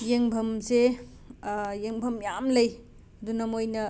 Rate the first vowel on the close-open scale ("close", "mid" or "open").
mid